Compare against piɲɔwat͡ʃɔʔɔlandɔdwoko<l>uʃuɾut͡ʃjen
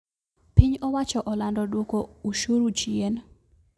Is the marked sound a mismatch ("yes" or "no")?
yes